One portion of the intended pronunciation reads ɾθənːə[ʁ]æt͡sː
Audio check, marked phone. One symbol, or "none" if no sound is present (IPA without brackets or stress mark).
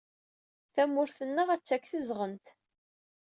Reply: ʁ